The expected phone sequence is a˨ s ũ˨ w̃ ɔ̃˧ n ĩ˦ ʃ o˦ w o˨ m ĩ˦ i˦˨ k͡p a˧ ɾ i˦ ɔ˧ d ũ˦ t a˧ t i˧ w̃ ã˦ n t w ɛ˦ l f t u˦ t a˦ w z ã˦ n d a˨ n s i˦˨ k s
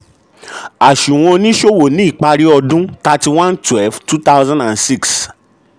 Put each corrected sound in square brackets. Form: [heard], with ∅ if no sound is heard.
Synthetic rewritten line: a˨ [ʃ] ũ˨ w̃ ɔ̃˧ n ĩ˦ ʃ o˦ w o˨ [n] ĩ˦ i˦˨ k͡p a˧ ɾ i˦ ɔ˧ d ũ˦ t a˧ t i˧ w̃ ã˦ n t w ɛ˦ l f t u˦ t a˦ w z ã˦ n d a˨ n s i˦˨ k s